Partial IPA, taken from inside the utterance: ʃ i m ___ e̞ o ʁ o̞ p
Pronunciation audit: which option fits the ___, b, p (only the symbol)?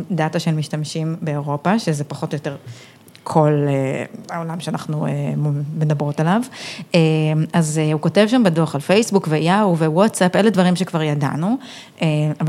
b